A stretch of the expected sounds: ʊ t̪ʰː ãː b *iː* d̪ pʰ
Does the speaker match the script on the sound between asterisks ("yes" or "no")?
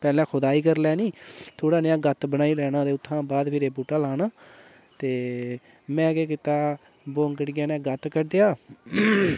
no